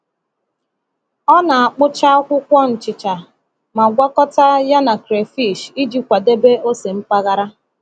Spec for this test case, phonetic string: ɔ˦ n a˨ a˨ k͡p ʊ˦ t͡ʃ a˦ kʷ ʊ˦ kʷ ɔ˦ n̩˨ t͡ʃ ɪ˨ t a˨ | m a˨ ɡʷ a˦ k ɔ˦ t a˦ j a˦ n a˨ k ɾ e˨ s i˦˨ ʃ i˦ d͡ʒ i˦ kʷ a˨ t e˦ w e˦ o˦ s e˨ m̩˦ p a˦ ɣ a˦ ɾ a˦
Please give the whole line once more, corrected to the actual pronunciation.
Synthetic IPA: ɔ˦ n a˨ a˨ k͡p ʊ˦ t͡ʃ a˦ kʷ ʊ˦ kʷ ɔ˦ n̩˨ t͡ʃ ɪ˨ t͡ʃ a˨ | m a˨ ɡʷ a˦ k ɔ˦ t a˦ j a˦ n a˨ k ɾ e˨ f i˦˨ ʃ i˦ d͡ʒ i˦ kʷ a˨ d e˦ b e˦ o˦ s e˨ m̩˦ p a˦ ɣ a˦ ɾ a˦